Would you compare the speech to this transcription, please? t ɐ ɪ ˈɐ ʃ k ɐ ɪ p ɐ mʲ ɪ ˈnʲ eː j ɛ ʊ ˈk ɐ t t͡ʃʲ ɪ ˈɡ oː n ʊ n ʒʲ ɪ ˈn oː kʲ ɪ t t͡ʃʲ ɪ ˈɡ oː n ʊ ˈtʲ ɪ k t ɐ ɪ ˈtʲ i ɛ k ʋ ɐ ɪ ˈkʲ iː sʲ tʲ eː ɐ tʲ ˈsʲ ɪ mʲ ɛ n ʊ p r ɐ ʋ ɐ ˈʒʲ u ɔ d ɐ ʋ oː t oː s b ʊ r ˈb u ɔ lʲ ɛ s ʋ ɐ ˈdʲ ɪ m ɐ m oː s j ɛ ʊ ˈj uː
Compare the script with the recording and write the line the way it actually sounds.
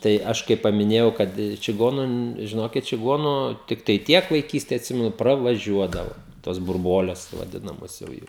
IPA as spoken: t ɐ ɪ ˈɐ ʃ k ɐ ɪ p ɐ mʲ ɪ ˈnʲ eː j ɛ ʊ ˈk ɐ t t͡ʃʲ ɪ ˈɡ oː n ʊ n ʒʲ ɪ ˈn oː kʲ ɪ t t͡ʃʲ ɪ ˈɡ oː n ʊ ˈtʲ ɪ k t ɐ ɪ ˈtʲ i ɛ k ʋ ɐ ɪ ˈkʲ iː sʲ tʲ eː ɐ tʲ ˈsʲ ɪ mʲ ɛ n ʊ p r ɐ ʋ ɐ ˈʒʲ u ɔ d ɐ ʋ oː t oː s b ʊ r ˈb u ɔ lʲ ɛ s ʋ ɐ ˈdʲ ɪ n ɐ m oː s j ɛ ʊ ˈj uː